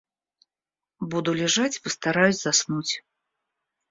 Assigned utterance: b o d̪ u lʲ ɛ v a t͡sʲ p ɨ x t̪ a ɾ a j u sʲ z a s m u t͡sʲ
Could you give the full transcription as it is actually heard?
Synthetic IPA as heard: b u d̪ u lʲ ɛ ʐ a t͡sʲ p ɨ s t̪ a ɾ a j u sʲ z a s n u t͡sʲ